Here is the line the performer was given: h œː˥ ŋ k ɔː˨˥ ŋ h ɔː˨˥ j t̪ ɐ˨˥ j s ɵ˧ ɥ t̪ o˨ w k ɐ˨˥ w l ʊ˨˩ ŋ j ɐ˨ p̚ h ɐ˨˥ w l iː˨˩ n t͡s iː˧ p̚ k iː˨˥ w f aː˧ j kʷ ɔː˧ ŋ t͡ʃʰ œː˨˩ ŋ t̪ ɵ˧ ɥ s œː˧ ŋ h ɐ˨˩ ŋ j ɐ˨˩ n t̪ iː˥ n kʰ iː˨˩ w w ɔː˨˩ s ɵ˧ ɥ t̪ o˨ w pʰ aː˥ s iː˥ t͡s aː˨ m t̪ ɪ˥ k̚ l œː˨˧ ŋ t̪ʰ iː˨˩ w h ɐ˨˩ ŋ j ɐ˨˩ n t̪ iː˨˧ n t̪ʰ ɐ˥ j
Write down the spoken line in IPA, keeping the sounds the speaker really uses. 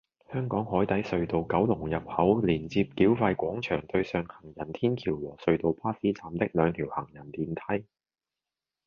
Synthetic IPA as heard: h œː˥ ŋ k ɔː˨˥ ŋ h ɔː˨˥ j t̪ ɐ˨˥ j s ɵ˧ ɥ t̪ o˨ w k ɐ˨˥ w l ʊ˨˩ ŋ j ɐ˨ p̚ h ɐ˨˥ w l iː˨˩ n t͡s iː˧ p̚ k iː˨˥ w f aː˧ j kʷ ɔː˨˥ ŋ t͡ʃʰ œː˨˩ ŋ t̪ ɵ˧ ɥ s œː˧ ŋ h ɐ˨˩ ŋ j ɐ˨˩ n t̪ʰ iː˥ n kʰ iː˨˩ w w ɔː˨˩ s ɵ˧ ɥ t̪ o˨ w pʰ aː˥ s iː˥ t͡s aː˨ m t̪ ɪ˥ k̚ l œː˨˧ ŋ t̪ʰ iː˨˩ w h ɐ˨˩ ŋ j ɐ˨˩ n t̪ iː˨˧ n t̪ʰ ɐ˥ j